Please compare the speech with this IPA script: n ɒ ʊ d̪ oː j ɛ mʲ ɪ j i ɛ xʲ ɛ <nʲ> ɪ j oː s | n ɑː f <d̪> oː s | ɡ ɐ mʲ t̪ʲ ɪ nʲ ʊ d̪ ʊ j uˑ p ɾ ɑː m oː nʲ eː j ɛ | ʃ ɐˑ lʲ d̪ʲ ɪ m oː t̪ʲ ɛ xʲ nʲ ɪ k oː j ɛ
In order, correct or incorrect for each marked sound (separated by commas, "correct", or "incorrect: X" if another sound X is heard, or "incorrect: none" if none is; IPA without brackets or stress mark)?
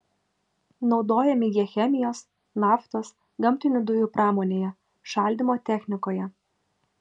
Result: incorrect: mʲ, incorrect: t̪